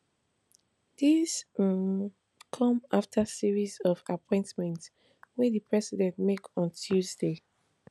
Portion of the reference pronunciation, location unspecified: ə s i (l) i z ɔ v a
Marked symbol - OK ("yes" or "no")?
no